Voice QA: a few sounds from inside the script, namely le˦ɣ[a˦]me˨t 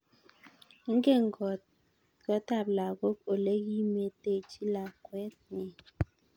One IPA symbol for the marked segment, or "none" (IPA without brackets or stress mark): i˦